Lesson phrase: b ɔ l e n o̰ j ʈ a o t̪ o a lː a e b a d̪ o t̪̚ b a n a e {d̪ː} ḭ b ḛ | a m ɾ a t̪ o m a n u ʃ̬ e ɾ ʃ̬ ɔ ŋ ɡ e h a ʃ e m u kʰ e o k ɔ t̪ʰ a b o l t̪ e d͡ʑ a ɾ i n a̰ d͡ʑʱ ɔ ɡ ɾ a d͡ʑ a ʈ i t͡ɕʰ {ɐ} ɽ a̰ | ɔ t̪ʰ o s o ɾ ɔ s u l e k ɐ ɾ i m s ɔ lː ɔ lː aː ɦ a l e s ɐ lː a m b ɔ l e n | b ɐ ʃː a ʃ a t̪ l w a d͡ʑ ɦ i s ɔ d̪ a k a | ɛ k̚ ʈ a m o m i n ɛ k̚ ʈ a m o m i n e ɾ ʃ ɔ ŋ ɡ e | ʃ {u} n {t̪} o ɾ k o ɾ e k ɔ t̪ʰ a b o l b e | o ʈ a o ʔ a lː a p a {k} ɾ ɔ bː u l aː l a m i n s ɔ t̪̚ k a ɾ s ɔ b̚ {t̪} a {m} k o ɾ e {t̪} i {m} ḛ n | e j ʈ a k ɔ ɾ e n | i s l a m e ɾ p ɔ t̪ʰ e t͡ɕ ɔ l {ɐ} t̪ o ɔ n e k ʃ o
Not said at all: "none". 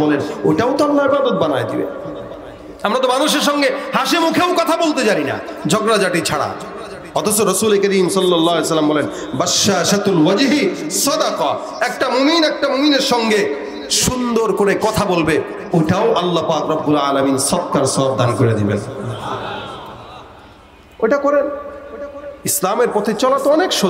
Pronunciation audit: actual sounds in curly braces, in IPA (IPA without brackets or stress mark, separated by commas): d̪, a, u, d̪, k, d̪, n, d̪, b, a